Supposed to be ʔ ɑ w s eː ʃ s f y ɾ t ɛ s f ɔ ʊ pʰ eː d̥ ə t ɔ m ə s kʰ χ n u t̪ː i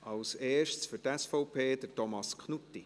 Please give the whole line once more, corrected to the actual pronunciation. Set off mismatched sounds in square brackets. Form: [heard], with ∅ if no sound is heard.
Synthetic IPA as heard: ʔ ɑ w s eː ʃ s f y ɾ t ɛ s f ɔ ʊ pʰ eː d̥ ə t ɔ m [ɑ] s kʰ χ n u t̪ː i